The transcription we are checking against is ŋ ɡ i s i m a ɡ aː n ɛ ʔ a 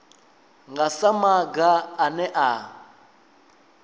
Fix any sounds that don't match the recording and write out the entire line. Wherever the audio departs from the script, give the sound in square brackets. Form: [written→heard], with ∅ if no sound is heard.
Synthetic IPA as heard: ŋ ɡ [i→a] s [i→a] m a ɡ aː n ɛ ʔ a